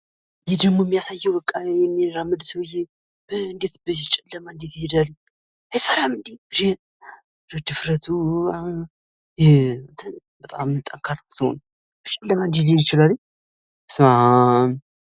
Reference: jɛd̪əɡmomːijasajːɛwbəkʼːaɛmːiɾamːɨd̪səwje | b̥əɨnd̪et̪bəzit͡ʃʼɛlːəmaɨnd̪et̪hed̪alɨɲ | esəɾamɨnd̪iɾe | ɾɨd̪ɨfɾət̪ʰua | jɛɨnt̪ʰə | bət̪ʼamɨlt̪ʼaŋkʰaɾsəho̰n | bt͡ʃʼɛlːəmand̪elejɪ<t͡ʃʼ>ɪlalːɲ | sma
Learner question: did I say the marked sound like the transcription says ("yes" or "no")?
no